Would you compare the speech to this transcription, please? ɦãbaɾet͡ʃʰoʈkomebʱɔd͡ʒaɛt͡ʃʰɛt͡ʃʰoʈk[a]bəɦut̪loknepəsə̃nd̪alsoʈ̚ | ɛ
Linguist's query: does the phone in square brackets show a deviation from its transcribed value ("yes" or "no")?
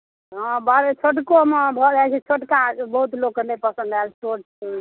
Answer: no